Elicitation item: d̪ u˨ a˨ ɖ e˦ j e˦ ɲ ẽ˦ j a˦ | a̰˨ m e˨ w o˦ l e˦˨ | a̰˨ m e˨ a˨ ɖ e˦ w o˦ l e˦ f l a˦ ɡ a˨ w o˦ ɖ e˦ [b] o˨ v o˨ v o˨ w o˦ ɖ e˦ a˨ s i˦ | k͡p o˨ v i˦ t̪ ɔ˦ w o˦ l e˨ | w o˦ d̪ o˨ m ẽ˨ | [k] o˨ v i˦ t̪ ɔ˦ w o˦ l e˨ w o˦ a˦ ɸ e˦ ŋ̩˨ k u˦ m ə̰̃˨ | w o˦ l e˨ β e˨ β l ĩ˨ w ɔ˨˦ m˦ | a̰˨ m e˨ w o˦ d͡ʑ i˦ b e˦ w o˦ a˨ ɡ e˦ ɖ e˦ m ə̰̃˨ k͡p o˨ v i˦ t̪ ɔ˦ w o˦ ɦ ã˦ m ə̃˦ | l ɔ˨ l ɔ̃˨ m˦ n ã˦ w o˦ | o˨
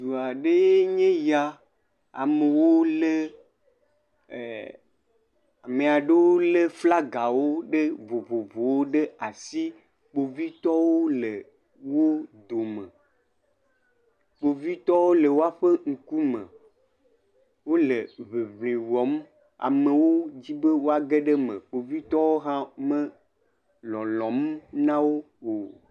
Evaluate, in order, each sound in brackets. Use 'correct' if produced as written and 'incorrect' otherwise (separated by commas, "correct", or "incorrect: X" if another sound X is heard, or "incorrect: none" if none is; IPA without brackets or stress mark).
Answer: incorrect: v, incorrect: k͡p